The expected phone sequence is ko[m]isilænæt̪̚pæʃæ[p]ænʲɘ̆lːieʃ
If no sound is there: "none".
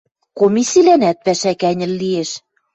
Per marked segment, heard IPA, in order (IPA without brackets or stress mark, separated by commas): m, k